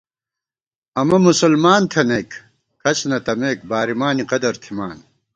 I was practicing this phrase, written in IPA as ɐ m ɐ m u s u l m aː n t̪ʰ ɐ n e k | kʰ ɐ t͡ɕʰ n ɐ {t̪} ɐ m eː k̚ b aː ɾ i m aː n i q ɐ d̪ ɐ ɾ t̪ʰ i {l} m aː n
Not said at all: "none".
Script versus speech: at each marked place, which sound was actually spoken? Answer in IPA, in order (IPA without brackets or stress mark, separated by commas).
t̪, none